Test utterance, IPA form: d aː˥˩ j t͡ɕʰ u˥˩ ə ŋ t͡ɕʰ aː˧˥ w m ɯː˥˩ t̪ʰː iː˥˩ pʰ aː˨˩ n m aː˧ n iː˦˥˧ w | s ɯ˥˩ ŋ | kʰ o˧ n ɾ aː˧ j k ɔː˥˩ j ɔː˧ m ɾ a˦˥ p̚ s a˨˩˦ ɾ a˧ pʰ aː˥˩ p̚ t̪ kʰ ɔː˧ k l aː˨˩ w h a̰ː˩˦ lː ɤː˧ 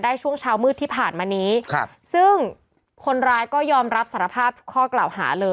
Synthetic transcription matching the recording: d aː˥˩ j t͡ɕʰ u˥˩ ə ŋ t͡ɕʰ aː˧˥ w m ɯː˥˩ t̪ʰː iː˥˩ pʰ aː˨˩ n m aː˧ n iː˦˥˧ | s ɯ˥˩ ŋ | kʰ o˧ n ɾ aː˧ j k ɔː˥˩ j ɔː˧ m ɾ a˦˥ p̚ s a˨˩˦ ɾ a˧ pʰ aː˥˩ p̚ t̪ kʰ ɔː˥˩ k l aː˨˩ w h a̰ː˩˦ l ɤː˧